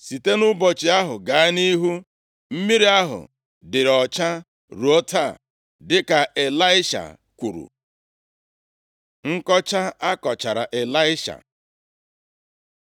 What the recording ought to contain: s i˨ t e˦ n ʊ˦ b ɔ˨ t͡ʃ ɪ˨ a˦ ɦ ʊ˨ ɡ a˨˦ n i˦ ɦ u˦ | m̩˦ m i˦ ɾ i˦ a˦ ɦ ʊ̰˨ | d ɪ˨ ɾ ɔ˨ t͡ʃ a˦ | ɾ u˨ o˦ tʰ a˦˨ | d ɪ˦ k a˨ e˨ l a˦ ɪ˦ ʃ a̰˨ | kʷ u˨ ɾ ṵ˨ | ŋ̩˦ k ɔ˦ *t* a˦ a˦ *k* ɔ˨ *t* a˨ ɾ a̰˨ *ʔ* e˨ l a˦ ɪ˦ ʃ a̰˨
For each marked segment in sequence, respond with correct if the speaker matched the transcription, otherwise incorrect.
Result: incorrect, correct, incorrect, correct

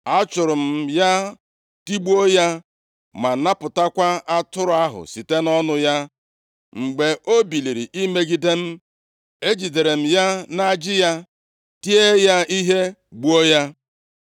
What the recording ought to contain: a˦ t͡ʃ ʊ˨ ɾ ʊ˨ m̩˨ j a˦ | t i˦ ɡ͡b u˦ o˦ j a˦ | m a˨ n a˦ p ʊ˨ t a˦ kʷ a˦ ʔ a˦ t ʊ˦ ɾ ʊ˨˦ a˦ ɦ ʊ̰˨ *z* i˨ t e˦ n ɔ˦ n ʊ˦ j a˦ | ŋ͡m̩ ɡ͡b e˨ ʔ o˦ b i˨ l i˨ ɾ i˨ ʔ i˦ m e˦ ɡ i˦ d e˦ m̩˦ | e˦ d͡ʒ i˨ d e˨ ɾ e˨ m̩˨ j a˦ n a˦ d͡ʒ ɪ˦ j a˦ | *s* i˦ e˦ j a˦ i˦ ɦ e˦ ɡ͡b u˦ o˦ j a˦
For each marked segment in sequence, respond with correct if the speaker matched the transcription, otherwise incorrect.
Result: incorrect, incorrect

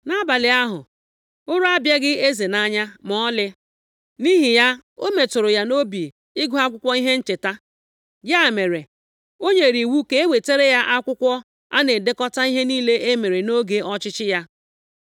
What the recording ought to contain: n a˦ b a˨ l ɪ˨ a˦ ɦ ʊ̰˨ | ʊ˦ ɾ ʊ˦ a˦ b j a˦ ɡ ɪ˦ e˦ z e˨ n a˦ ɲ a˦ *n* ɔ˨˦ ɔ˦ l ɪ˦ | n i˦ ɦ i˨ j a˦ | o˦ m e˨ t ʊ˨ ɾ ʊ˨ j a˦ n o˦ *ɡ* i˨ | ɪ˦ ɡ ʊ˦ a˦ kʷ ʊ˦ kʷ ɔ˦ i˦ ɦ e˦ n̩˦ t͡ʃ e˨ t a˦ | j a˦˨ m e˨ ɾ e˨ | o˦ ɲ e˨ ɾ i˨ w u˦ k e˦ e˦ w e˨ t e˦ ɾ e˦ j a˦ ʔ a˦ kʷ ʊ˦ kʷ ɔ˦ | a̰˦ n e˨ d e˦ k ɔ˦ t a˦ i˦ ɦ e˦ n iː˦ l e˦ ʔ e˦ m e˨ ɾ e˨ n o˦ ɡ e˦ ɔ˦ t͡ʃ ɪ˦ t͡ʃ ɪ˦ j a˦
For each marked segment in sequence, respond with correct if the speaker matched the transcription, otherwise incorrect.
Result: incorrect, incorrect

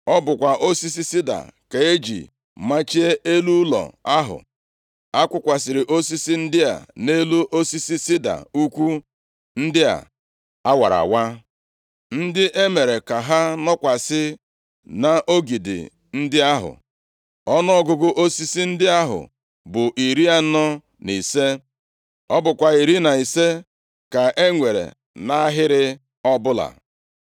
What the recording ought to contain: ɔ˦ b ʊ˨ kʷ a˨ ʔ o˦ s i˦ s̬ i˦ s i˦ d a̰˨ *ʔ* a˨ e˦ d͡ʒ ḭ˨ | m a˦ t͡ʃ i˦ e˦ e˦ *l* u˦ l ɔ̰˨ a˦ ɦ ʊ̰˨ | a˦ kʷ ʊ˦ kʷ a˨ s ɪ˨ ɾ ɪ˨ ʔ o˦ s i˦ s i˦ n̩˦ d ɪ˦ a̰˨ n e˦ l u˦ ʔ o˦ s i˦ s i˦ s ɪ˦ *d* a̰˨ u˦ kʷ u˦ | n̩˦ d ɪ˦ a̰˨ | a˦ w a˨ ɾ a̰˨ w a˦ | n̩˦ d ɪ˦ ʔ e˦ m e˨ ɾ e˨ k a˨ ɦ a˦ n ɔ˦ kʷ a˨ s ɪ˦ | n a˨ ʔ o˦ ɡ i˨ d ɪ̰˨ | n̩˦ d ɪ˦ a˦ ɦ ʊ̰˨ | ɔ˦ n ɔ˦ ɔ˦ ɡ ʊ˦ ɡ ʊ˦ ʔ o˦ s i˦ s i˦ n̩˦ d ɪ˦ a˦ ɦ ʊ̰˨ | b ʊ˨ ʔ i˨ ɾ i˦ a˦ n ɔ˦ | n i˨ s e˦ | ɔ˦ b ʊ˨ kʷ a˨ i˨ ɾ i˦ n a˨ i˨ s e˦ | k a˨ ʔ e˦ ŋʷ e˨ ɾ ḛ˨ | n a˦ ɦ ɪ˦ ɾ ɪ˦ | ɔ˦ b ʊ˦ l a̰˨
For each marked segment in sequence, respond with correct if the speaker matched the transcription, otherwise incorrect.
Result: incorrect, correct, correct

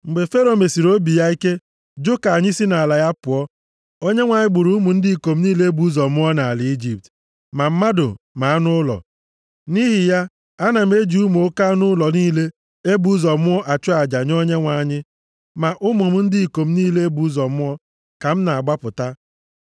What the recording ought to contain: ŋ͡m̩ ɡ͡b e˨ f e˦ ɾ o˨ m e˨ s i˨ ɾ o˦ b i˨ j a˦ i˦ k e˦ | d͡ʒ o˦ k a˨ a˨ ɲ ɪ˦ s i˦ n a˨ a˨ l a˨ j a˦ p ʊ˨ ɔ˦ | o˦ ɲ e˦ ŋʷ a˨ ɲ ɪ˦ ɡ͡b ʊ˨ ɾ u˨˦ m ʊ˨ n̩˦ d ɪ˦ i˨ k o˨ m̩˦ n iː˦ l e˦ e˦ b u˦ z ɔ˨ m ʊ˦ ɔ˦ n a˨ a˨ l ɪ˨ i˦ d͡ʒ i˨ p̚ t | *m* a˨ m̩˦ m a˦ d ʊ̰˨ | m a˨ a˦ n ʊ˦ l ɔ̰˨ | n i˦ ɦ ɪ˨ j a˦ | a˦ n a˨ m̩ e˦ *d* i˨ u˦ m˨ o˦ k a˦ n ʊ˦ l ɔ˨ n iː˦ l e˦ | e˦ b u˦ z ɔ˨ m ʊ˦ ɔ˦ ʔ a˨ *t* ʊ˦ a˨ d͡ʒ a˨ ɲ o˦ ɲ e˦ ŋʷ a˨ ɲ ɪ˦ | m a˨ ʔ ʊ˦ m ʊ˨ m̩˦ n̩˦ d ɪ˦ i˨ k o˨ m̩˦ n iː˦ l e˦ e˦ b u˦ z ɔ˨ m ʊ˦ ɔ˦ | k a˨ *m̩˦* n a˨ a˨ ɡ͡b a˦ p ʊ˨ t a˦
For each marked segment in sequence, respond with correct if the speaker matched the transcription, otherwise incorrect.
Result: correct, incorrect, incorrect, correct

